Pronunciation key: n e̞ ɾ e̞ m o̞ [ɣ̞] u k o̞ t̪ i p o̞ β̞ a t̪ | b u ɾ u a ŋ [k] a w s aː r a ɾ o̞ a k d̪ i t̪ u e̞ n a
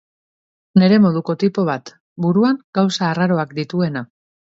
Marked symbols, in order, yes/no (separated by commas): no, no